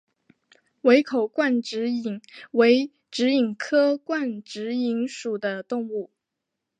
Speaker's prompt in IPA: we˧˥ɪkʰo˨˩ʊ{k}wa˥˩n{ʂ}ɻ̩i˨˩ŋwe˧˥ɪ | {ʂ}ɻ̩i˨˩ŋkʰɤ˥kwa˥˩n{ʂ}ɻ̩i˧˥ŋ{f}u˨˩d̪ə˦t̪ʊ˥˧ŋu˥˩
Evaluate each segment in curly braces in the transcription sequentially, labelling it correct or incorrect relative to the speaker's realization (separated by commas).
correct, incorrect, incorrect, incorrect, incorrect